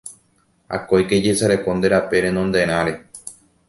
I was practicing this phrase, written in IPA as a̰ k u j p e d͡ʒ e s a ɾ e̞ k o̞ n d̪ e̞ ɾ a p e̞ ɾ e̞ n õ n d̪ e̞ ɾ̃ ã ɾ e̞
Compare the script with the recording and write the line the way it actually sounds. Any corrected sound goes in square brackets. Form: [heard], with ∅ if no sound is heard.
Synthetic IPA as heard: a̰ k [o] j [k] e d͡ʒ e s a ɾ e̞ k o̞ n d̪ e̞ ɾ a p e̞ ɾ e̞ n õ n d̪ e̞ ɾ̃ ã ɾ e̞